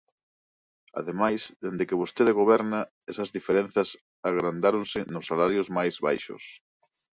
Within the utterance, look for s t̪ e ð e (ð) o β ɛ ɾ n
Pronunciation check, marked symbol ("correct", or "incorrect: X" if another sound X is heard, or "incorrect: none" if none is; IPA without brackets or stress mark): incorrect: ɣ